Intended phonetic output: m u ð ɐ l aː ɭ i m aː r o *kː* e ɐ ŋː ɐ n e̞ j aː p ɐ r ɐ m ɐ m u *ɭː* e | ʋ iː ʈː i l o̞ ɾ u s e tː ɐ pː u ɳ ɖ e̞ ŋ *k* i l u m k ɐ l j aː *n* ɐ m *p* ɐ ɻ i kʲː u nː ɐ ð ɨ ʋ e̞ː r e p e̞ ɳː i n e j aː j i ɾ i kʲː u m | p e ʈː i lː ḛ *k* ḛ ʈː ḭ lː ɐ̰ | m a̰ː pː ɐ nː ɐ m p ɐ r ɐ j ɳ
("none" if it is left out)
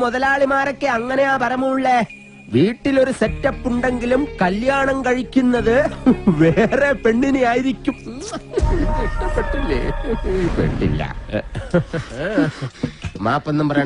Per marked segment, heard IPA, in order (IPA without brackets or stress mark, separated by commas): kː, ɭː, ɡ, ɳ, k, p